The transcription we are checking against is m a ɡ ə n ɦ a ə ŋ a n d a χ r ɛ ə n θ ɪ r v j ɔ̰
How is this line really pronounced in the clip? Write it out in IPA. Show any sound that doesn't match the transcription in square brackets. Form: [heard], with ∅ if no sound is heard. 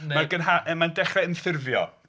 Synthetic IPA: m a ɡ ə n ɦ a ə [m] a n d [ɛ] χ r ɛ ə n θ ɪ r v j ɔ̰